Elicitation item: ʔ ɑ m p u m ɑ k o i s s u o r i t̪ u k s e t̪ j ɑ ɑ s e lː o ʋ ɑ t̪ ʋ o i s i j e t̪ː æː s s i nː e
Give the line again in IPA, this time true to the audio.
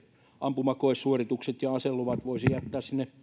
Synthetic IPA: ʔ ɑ m p u m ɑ k o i s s u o r i t̪ u k s e t̪ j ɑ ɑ s e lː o ʋ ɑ t̪ ʋ o i s i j æ t̪ː æː s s i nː e